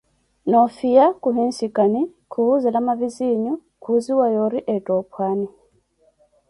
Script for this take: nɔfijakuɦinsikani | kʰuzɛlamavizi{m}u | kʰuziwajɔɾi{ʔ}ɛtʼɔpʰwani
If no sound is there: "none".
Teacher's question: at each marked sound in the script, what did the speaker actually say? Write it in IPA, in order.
ɲ, ʔ

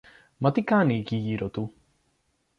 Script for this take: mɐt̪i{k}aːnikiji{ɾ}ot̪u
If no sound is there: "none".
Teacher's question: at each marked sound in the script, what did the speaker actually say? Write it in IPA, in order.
k, ɾ

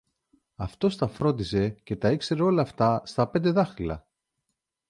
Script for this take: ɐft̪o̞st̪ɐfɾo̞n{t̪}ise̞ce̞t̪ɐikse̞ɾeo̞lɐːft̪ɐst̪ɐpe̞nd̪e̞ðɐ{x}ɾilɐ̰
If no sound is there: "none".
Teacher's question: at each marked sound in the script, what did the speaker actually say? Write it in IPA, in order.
d̪, x

